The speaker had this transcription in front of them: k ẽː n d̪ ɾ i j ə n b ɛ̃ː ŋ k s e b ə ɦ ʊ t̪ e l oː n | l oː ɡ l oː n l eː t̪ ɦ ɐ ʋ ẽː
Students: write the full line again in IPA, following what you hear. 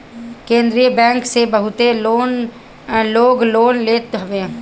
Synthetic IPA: k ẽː n d̪ ɾ i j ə b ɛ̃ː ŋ k s e b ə ɦ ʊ t̪ e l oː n | l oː ɡ l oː n l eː t̪ ɦ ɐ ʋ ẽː